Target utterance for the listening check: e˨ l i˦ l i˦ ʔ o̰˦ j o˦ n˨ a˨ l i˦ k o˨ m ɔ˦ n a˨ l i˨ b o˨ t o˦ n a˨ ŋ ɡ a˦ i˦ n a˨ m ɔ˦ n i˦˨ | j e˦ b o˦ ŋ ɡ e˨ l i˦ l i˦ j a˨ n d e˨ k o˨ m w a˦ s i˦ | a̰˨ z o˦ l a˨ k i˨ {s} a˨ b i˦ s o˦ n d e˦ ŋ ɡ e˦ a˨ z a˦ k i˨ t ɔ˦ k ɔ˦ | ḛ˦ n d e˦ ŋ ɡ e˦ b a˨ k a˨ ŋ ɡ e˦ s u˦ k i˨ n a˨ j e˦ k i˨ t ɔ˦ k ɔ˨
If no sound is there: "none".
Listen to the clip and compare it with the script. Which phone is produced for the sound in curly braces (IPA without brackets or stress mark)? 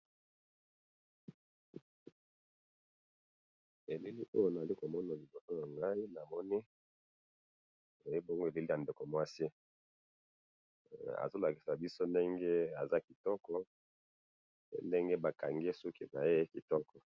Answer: s